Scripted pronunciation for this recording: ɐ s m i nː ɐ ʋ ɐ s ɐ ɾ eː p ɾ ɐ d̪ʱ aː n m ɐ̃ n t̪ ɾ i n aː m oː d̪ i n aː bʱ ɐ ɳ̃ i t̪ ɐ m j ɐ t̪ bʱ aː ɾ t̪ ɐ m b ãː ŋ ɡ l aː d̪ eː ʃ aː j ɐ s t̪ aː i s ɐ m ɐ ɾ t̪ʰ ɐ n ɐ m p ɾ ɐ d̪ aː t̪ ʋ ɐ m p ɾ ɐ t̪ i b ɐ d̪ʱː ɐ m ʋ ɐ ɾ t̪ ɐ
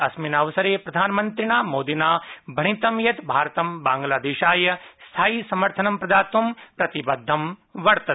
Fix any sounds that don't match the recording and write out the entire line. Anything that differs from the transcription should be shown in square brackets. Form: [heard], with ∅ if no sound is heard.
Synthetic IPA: ɐ s m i [n] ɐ ʋ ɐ s ɐ ɾ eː p ɾ ɐ d̪ʱ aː n m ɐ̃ n t̪ ɾ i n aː m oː d̪ i n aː bʱ ɐ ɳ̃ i t̪ ɐ m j ɐ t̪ bʱ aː ɾ t̪ ɐ m b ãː ŋ ɡ l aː d̪ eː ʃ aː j ɐ s [t̪ʰ] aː i s ɐ m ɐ ɾ t̪ʰ ɐ n ɐ m p ɾ ɐ d̪ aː t̪ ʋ ɐ m p ɾ ɐ t̪ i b ɐ d̪ʱː ɐ m ʋ ɐ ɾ t̪ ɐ